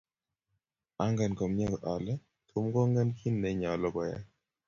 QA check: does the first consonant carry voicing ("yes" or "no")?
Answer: yes